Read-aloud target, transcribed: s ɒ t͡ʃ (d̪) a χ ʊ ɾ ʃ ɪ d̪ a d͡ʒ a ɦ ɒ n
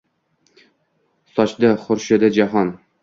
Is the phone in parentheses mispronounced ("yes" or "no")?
no